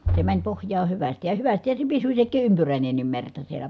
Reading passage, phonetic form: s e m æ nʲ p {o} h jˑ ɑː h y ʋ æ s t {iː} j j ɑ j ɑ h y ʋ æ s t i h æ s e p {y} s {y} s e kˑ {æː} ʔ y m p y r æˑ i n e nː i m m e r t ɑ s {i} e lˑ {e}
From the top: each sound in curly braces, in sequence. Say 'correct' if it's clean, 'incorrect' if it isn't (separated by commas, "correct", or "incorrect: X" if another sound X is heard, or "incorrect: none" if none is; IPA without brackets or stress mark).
correct, incorrect: i, incorrect: i, correct, incorrect: iː, correct, incorrect: æ